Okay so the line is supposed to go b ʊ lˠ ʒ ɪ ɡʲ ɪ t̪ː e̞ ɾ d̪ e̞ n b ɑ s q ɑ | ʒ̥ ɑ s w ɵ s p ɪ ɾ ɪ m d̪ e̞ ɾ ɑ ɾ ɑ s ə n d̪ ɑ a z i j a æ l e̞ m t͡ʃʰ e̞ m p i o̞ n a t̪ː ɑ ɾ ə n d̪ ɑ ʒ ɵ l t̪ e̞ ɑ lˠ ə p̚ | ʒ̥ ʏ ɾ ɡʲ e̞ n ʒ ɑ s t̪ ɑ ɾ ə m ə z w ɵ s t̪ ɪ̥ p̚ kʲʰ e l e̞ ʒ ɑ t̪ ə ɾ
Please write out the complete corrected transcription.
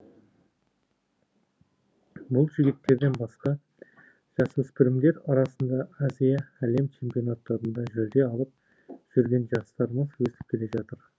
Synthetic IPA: b ʊ lˠ ʒ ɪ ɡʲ ɪ t̪ː e̞ ɾ d̪ e̞ n b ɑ s q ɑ | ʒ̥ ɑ s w ɵ s p ɪ ɾ ɪ m d̪ e̞ ɾ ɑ ɾ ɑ s ə n d̪ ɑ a z i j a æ l e̞ m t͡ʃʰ e̞ m p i o̞ n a t̪ː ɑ ɾ ə n d̪ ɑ ʒ ɵ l d̪ e̞ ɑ lˠ ə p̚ | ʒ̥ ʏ ɾ ɡʲ e̞ n ʒ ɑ s t̪ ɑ ɾ ə m ə z w ɵ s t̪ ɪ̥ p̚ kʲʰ e l e̞ ʒ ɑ t̪ ə ɾ